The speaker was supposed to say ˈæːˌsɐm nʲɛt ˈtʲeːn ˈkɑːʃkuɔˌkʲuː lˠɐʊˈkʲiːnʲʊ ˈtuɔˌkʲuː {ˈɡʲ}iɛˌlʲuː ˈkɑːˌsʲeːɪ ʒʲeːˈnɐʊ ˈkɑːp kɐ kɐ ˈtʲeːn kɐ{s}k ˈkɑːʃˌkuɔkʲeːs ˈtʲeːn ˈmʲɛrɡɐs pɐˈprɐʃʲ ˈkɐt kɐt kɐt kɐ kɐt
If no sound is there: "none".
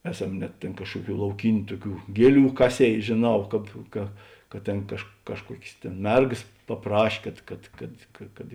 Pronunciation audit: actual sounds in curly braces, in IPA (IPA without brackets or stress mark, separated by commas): ɡʲ, ʃ